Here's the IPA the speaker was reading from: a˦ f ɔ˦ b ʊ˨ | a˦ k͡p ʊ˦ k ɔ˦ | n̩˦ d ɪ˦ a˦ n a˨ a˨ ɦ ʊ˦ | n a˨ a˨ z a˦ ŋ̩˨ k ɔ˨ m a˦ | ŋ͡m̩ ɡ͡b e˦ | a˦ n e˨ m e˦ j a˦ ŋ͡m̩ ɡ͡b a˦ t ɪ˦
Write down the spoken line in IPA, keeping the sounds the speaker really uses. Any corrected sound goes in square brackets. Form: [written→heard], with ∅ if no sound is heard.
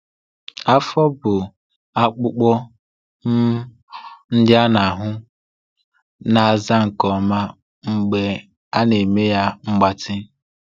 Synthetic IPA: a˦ f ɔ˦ b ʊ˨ | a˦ k͡p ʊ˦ [k→k͡p] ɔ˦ | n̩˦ d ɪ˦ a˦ n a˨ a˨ ɦ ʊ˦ | n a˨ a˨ z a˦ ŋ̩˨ k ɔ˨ m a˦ | ŋ͡m̩ ɡ͡b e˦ | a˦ n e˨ m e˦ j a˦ ŋ͡m̩ ɡ͡b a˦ t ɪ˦